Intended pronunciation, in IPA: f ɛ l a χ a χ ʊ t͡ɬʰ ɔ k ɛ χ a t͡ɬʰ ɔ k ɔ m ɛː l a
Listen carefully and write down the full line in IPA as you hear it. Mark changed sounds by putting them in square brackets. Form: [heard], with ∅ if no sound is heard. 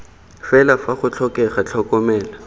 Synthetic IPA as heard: f ɛ l a [f] a χ ʊ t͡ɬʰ ɔ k ɛ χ a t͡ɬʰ ɔ k ɔ m ɛː l a